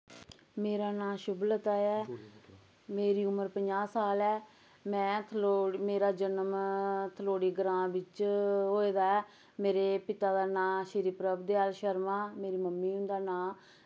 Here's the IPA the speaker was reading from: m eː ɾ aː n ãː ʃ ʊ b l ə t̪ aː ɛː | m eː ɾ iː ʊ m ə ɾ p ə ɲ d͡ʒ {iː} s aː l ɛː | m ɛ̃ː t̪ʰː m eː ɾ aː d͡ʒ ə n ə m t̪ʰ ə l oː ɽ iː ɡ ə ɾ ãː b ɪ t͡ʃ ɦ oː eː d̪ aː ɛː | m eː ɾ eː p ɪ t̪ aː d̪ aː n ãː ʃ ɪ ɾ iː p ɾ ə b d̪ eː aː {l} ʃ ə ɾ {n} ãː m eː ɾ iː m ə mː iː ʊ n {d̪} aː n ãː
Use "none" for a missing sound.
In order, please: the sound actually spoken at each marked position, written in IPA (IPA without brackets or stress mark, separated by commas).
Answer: aː, l, m, d̪